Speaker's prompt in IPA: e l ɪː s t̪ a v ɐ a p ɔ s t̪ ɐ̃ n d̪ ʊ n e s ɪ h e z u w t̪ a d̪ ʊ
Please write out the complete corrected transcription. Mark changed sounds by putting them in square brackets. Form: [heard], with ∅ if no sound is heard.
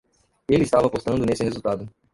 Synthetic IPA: e l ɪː s t̪ a v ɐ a p [o] s t̪ ɐ̃ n d̪ ʊ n e s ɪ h e z u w t̪ a d̪ ʊ

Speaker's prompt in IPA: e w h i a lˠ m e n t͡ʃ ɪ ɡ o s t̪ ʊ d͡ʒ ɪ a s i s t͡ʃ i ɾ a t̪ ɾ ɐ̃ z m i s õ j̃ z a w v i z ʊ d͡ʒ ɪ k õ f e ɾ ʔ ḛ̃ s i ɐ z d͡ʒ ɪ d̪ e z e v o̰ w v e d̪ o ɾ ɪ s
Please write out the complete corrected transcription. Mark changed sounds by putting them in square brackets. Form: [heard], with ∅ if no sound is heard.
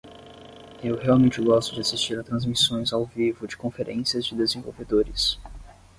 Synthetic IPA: e w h [e] a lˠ m [ẽ] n t͡ʃ ɪ ɡ [ɔ] s t̪ ʊ d͡ʒ ɪ a s i s t͡ʃ i ɾ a t̪ ɾ ɐ̃ z m i s õ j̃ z a w v i [v] ʊ d͡ʒ ɪ k õ f e ɾ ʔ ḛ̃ s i ɐ z d͡ʒ ɪ d̪ e z [ẽ] v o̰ w v e d̪ o ɾ ɪ s

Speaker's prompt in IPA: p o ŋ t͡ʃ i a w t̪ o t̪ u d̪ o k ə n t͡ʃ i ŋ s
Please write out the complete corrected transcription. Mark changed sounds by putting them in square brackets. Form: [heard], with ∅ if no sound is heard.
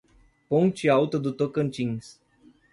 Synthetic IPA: p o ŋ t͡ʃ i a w t̪ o [d̪] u [t̪] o k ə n t͡ʃ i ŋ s

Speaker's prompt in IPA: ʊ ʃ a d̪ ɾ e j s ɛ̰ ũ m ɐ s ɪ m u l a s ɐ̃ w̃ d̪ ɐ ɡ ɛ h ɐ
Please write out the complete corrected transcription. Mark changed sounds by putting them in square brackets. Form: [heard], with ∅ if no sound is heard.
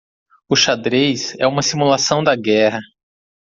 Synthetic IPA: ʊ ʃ a d̪ ɾ e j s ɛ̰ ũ m ɐ s [i] m u l a s ɐ̃ w̃ d̪ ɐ ɡ ɛ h ɐ

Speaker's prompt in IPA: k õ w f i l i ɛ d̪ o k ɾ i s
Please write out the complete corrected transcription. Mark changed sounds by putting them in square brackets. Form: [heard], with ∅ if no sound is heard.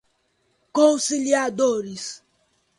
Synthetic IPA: k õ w [s] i l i [a] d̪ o [∅] ɾ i s

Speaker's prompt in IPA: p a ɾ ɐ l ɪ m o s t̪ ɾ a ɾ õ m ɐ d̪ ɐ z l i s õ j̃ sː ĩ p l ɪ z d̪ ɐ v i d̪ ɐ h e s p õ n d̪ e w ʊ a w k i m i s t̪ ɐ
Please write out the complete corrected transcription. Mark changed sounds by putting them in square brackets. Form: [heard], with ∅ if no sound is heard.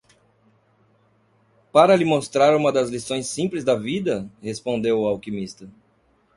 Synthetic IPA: p a ɾ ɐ l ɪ m o s t̪ ɾ a ɾ [ũ] m ɐ d̪ ɐ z l i s õ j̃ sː ĩ p l ɪ z d̪ ɐ v i d̪ ɐ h e s p õ n d̪ e w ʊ a w k i m i s t̪ ɐ

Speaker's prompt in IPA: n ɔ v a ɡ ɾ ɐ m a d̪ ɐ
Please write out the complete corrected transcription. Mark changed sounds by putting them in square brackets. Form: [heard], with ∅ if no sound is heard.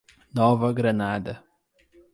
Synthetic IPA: n ɔ v [ɐ] ɡ ɾ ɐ [n] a d̪ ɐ

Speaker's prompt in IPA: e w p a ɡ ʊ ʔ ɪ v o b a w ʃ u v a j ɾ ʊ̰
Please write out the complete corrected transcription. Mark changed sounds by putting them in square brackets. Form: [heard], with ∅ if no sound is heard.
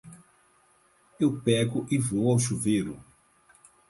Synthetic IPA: e w p [ɛ] ɡ ʊ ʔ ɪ v o [w] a w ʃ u v [e] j ɾ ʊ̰

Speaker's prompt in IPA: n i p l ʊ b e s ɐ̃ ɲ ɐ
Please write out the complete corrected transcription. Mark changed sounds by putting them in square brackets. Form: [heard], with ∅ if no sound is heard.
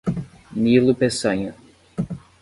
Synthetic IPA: n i [∅] l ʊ [p] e s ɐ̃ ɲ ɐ

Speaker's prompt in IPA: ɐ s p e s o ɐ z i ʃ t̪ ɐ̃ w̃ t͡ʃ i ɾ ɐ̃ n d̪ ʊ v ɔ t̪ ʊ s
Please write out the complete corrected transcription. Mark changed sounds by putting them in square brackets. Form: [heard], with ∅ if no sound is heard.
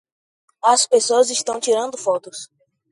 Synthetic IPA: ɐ s p e s o ɐ z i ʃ t̪ ɐ̃ w̃ t͡ʃ i ɾ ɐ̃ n d̪ ʊ [f] ɔ t̪ ʊ s

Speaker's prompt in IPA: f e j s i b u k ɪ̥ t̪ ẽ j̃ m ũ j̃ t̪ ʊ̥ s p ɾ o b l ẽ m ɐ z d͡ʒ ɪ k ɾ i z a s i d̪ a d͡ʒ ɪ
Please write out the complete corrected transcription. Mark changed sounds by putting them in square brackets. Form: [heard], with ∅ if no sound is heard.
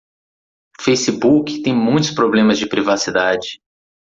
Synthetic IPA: f e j s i b u k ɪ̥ t̪ ẽ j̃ m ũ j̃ t̪ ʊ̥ s p ɾ o b l ẽ m ɐ z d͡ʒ ɪ [p] ɾ i [v] a s i d̪ a d͡ʒ ɪ

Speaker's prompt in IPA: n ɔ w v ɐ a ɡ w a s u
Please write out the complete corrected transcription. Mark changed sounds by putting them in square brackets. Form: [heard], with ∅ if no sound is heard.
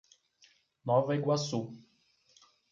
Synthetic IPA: n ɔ [∅] v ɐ [i] ɡ w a s u

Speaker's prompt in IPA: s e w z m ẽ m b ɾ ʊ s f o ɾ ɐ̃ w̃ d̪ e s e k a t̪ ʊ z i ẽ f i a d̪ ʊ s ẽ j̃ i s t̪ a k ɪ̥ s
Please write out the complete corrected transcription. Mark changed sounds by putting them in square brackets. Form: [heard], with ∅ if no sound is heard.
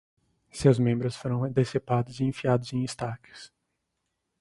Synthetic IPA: s e w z m ẽ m b ɾ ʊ s f o ɾ ɐ̃ w̃ d̪ e s e [p] a [d̪] ʊ z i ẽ f i a d̪ ʊ [z] ẽ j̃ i s t̪ a k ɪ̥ s

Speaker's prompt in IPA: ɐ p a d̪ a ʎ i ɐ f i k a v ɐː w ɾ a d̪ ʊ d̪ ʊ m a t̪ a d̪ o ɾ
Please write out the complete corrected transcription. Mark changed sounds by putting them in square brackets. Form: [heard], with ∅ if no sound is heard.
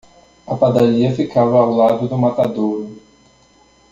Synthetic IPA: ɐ p a d̪ a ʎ i ɐ f i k a v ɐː w [l] a d̪ ʊ d̪ ʊ m a t̪ a d̪ o ɾ

